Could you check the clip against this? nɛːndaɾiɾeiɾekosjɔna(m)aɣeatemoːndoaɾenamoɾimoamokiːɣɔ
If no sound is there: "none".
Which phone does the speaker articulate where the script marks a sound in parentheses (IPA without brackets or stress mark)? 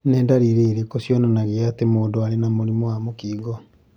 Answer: n